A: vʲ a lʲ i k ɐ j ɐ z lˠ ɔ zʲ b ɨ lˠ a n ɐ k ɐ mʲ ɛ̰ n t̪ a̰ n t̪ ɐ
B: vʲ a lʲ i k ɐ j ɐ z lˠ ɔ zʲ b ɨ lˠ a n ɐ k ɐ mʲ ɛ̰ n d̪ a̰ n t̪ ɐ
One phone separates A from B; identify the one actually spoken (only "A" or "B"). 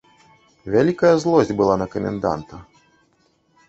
B